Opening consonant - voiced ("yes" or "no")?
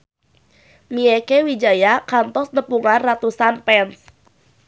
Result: yes